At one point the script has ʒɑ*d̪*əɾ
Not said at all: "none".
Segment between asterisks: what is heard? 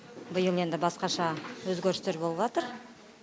t̪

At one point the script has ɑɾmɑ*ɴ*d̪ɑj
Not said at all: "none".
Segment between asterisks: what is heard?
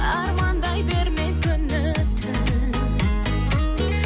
n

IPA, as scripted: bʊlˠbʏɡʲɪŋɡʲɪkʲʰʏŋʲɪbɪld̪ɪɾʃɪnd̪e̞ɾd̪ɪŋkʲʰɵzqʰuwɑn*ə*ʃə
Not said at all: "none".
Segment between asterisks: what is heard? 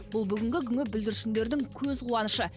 ə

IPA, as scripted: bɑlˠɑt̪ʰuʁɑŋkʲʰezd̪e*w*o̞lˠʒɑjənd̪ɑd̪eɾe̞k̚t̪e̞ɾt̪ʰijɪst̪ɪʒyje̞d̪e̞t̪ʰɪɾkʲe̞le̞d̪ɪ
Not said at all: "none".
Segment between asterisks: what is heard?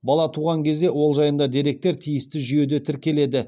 w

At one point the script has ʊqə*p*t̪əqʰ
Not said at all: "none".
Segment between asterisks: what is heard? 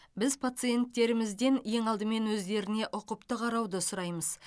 p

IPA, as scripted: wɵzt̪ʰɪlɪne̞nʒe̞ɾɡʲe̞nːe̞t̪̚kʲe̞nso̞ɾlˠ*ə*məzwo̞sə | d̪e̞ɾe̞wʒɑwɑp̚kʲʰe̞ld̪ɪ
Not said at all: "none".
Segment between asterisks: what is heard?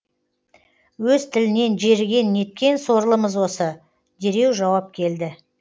ə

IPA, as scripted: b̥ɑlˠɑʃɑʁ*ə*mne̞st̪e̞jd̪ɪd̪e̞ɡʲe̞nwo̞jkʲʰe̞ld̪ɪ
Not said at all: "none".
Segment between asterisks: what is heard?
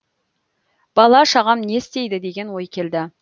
ɑ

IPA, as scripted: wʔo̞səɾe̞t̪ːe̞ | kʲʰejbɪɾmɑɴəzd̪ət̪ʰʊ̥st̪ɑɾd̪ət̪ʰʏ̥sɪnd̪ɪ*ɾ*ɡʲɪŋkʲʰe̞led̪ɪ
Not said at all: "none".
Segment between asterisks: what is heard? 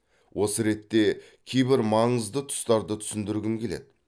ɾ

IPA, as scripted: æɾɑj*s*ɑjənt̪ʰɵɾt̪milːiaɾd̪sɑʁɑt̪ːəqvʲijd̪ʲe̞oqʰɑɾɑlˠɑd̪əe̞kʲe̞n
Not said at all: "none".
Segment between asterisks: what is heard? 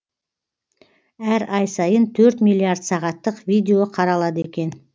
s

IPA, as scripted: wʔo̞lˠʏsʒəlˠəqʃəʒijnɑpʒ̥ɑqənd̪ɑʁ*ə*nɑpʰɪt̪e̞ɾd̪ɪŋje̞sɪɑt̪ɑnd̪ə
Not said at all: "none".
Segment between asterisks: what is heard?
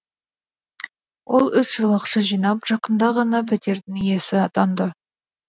ɑ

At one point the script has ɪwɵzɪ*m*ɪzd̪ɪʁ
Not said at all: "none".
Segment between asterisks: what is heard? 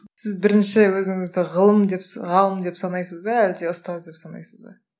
ŋ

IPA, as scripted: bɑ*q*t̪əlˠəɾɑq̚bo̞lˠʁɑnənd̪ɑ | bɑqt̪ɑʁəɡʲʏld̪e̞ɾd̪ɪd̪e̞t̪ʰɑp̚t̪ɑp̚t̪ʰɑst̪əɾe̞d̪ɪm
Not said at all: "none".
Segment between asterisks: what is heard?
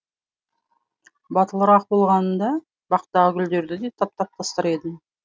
none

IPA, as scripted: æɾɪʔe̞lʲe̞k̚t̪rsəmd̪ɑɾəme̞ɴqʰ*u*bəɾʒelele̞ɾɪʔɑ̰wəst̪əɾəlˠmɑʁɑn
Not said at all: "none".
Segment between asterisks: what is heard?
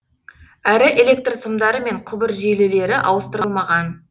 ʊ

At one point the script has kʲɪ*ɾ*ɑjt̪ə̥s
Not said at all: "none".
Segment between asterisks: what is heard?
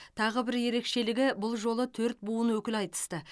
l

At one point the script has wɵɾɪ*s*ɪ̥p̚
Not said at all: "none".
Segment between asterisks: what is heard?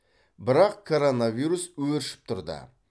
ʃ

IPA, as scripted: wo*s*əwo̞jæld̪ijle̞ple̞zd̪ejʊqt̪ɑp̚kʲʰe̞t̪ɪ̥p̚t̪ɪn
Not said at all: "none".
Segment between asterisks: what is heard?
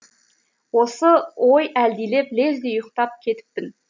s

